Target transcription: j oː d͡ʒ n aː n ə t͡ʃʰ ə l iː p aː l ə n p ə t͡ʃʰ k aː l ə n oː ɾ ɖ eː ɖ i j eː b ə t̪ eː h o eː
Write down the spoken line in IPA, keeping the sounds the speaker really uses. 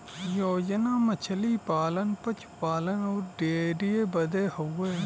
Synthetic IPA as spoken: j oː d͡ʒ n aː m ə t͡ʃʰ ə l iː p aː l ə n p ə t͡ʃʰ p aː l ə n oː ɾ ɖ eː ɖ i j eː b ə d̪ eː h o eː